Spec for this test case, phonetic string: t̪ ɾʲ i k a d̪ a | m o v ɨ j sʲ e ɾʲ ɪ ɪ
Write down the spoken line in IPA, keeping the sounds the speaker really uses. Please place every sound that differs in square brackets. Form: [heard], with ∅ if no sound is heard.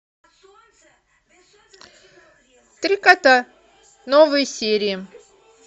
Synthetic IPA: t̪ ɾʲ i k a [t̪] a | [n] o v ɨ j sʲ e ɾʲ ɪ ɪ